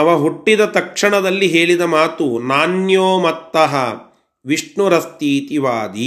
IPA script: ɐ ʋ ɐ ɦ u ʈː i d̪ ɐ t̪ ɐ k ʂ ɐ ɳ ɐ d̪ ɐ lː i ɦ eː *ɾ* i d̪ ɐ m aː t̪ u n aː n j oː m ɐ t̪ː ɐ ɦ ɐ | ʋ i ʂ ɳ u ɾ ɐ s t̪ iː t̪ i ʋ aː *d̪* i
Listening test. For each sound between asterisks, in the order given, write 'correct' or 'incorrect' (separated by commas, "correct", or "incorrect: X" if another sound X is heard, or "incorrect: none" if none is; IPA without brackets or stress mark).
incorrect: ɭ, correct